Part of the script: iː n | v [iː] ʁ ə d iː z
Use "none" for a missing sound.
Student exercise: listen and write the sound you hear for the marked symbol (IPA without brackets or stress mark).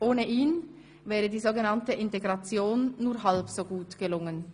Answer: ɛː